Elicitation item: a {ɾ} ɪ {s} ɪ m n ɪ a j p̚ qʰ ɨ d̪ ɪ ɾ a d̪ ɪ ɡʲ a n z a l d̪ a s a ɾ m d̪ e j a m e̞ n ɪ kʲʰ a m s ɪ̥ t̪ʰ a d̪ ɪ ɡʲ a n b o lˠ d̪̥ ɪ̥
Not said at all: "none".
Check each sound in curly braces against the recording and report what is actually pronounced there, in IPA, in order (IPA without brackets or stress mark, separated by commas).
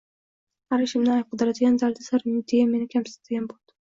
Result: ɾ, ʃ